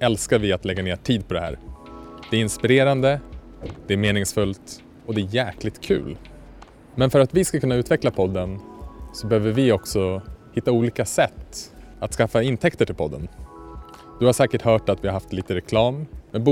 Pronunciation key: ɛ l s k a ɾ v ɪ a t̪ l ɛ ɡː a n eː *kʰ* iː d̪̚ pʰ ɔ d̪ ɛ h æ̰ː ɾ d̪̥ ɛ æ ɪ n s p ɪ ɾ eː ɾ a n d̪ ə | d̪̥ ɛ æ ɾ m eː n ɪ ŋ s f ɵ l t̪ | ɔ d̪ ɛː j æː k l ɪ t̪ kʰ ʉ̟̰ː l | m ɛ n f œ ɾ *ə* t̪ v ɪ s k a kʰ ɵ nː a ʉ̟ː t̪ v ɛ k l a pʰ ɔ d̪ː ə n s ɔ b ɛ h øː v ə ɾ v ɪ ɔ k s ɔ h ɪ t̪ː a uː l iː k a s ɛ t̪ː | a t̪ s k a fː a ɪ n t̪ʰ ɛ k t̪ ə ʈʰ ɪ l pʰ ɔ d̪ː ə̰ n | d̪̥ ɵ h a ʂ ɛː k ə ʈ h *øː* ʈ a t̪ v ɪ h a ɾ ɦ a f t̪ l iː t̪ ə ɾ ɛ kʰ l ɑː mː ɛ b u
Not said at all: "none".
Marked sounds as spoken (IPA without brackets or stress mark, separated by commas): ʈʰ, a, œː